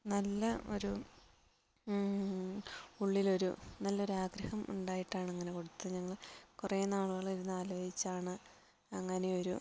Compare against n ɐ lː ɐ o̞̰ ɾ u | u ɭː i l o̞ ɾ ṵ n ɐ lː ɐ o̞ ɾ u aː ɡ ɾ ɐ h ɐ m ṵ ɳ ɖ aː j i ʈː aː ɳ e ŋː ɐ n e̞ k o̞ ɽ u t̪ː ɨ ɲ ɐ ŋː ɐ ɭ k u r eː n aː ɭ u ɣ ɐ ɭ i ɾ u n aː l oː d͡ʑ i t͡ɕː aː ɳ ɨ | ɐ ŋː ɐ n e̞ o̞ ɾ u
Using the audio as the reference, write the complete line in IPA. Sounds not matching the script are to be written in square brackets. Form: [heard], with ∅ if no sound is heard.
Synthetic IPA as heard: n ɐ lː ɐ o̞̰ ɾ u | u ɭː i l o̞ ɾ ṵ n ɐ lː ɐ o̞ ɾ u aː ɡ ɾ ɐ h ɐ m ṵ ɳ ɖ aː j i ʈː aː ɳ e ŋː ɐ n e̞ k o̞ ɽ u t̪ː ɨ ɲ ɐ ŋː ɐ ɭ k u r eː n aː ɭ u ɣ ɐ ɭ i ɾ u [nː] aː l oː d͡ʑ i t͡ɕː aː ɳ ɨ | ɐ ŋː ɐ n e̞ o̞ ɾ u